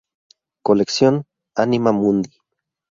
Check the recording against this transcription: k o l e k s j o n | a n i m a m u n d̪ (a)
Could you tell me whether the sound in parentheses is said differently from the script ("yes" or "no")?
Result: yes